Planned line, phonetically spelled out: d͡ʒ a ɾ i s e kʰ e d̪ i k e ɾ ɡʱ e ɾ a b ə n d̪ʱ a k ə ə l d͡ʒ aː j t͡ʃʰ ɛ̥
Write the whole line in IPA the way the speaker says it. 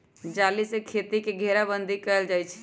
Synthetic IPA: d͡ʒ a l i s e kʰ e t̪ i k e ɡʱ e ɾ a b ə n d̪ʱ i k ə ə l d͡ʒ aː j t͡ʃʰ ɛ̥